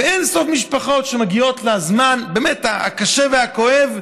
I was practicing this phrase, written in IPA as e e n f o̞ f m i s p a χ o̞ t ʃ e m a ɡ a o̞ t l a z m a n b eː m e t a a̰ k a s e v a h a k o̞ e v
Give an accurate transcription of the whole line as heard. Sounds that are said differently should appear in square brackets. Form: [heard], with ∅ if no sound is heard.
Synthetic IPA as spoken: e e n [s] o̞ f m i [ʃ] p a χ o̞ t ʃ e m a ɡ [i] o̞ t l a z m a n b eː m e t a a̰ k a [ʃ] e v [e] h a k o̞ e v